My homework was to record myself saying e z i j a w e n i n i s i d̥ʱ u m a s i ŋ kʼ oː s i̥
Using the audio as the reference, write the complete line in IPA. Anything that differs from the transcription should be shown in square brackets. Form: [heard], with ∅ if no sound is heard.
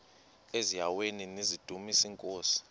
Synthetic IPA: e z i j a w e n i n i [z] i d̥ʱ u m [i] s i ŋ kʼ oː s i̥